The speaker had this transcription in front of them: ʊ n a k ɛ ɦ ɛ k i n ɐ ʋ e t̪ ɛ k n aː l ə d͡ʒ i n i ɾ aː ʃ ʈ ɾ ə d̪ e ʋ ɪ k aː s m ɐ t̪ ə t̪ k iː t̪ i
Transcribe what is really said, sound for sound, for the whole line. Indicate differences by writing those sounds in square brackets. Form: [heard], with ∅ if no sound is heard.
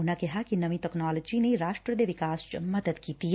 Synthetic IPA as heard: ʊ n a k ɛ ɦ [a] k i n ɐ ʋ [i] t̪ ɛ k n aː l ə d͡ʒ i n [e] ɾ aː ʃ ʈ ɾ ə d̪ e ʋ ɪ k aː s m ɐ [d̪] ə [d̪] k iː t̪ i